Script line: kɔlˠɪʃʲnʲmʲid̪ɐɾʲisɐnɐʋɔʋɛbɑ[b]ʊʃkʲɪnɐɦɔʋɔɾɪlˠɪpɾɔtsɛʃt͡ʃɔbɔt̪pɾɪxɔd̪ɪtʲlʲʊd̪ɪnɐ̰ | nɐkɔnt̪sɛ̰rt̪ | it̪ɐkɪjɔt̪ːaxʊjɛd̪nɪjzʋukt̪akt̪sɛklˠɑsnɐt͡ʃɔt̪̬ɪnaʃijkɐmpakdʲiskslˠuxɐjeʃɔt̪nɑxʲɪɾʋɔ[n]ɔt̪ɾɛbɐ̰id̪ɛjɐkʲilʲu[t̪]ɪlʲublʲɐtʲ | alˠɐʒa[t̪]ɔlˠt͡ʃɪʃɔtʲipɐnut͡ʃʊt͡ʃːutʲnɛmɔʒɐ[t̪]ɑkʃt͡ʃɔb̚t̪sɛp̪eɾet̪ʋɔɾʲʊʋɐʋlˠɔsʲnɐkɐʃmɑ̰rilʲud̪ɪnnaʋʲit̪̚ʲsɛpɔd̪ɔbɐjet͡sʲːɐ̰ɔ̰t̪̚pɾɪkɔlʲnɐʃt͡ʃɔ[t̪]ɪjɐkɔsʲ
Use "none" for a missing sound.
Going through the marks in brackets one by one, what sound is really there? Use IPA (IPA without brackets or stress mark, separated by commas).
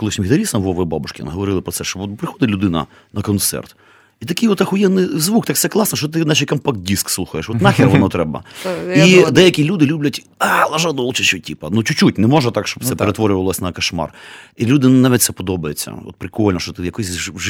b, n, d̪, d̪, t̪, t̪